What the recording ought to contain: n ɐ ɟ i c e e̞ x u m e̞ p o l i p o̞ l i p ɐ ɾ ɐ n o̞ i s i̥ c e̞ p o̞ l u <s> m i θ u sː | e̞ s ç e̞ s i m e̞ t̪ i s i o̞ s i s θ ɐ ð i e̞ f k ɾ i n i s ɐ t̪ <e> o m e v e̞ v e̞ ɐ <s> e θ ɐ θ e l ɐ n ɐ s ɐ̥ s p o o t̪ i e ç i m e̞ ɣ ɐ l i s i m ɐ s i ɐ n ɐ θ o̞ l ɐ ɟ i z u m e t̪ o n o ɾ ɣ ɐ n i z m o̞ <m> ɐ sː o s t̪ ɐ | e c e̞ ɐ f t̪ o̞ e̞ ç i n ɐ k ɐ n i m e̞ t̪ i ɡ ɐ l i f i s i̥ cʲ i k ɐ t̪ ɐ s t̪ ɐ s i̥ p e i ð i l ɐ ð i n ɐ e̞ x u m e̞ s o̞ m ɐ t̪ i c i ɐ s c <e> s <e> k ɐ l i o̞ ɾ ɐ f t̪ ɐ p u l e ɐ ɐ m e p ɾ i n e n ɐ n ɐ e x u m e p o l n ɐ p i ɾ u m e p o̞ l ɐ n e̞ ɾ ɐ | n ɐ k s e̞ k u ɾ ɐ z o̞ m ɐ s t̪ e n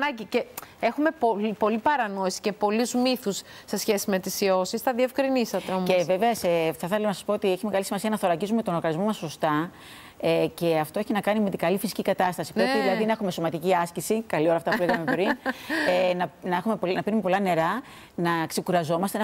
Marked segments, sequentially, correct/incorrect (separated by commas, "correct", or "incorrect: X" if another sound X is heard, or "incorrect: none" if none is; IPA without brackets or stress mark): incorrect: z, correct, correct, correct, incorrect: i, incorrect: i